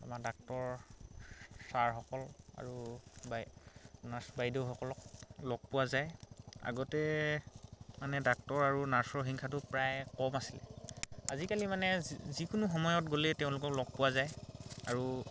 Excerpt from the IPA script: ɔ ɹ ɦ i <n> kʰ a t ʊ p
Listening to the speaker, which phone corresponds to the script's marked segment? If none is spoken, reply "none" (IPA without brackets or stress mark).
ŋ